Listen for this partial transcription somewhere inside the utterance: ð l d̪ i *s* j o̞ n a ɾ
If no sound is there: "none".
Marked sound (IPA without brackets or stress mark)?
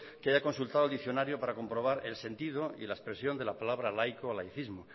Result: θ